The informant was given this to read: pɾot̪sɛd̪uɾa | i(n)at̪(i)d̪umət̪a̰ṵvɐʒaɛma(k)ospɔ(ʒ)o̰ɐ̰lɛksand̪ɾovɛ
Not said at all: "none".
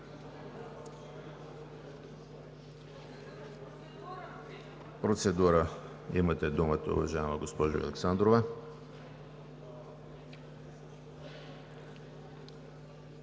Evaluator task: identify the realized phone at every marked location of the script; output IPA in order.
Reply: m, ɛ, ɡ, ʒ

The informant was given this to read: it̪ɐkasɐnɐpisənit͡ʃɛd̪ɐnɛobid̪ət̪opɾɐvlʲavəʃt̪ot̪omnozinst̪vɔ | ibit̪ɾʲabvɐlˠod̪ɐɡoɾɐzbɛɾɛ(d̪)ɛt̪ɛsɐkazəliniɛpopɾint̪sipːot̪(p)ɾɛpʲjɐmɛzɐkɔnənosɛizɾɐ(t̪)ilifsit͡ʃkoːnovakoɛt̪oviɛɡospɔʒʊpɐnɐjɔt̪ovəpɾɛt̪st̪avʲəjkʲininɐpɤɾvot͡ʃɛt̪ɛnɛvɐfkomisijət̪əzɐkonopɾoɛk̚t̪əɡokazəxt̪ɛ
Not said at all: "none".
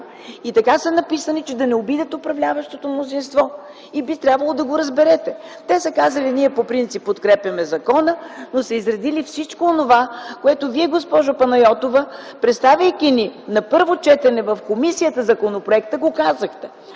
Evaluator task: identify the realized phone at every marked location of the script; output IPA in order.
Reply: t̪, k, d̪

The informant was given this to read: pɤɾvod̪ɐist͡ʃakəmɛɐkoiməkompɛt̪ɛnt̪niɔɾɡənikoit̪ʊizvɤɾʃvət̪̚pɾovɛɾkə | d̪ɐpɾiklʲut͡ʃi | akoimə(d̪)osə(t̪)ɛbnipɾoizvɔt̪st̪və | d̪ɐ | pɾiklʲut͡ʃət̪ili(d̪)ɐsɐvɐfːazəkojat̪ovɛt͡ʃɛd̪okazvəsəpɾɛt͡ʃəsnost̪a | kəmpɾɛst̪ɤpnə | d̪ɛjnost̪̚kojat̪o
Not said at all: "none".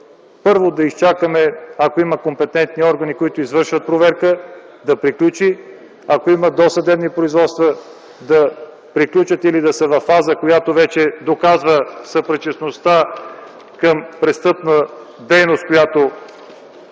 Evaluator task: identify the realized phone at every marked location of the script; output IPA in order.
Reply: d̪, d̪, d̪

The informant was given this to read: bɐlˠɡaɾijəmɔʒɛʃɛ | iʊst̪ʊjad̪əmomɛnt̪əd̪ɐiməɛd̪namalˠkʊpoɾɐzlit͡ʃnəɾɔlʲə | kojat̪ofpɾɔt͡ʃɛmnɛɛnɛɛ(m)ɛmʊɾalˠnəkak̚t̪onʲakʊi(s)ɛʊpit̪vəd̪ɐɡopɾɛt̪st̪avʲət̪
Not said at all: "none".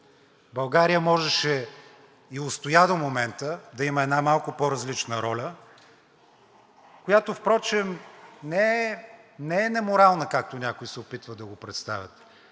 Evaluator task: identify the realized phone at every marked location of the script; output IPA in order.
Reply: n, s

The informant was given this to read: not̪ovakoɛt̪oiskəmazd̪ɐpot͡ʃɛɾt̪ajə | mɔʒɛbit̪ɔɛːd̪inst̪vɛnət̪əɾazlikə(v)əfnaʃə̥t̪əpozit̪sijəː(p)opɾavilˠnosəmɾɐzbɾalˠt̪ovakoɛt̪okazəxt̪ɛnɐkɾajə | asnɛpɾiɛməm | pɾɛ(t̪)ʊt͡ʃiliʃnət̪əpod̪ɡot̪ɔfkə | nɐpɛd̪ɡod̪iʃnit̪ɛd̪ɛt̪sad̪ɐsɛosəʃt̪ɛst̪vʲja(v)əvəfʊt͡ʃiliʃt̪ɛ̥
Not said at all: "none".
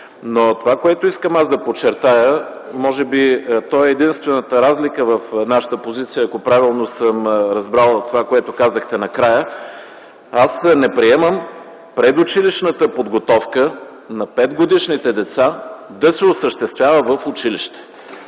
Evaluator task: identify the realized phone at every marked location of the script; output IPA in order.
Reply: v, k, d̪, v

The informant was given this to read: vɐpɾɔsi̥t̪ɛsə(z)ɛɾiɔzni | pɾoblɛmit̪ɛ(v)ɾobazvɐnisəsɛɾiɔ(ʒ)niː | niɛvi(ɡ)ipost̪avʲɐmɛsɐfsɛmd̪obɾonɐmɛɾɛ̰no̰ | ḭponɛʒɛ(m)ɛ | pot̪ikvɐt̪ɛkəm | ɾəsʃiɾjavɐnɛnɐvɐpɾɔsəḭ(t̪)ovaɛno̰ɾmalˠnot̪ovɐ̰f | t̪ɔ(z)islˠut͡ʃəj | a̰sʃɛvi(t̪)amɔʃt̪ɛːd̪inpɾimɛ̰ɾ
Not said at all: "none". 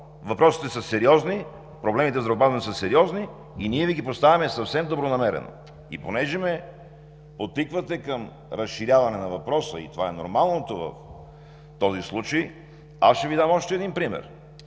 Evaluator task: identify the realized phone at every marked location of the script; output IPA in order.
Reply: s, z, z, ɡ, m, t̪, z, d̪

